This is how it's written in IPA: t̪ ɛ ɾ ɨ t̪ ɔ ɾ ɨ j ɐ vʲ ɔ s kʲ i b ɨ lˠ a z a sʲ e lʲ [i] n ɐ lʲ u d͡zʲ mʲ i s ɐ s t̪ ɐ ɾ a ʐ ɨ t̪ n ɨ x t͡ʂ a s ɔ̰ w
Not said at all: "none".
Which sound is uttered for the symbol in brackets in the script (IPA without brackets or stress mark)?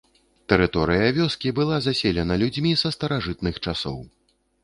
ɛ